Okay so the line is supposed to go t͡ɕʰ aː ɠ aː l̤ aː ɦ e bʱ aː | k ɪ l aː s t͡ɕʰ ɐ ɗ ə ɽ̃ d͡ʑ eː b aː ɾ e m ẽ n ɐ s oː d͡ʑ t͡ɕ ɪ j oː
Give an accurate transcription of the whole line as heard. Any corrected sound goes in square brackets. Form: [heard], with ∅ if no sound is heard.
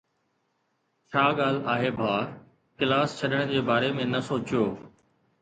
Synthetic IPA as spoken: t͡ɕʰ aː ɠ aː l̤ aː ɦ e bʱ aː | k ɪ l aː s t͡ɕʰ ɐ ɗ ə ɽ̃ d͡ʑ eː b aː ɾ e m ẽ n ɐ s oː [∅] t͡ɕ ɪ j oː